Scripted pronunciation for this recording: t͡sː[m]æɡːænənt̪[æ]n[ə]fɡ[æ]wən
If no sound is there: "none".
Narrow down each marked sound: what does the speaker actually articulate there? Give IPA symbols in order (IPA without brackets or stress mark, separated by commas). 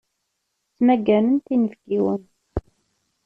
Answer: m, i, ə, i